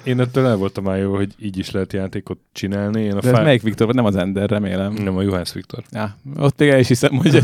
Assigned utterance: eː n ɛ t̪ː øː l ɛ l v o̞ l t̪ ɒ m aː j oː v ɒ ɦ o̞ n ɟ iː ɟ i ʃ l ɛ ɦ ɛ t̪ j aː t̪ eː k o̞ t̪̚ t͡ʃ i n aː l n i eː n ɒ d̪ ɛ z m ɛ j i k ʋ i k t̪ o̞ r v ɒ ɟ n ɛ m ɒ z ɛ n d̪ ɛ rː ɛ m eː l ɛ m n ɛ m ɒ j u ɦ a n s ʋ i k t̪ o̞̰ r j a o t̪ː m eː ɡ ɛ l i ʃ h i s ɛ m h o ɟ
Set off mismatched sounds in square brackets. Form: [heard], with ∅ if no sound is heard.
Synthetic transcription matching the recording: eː n ɛ t̪ː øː l ɛ l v o̞ l t̪ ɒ m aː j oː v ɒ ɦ o̞ [∅] ɟ iː ɟ i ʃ l ɛ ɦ ɛ t̪ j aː t̪ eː k o̞ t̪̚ t͡ʃ i n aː l n i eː n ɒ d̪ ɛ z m ɛ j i k ʋ i k t̪ o̞ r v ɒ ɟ n ɛ m ɒ z ɛ n d̪ ɛ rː ɛ m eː l ɛ m n ɛ m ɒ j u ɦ a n s ʋ i k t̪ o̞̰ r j a o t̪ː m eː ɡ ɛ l i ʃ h i s ɛ m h o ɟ